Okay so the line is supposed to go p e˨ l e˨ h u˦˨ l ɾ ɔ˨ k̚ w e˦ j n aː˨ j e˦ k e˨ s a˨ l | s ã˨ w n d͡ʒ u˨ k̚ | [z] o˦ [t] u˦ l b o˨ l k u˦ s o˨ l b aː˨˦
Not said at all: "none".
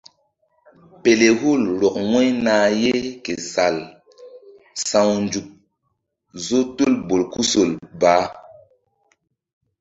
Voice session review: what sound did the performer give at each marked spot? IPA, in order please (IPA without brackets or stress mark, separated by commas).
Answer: z, t